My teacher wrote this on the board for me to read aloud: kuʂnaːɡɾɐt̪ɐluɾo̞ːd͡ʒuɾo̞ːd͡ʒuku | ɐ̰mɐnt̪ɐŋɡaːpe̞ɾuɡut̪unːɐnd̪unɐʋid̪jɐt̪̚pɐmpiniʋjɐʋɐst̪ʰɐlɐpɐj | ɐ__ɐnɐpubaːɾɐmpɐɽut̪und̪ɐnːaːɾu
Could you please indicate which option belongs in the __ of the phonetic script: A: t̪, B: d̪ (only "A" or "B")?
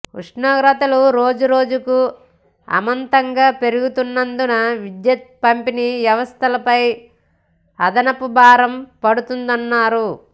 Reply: B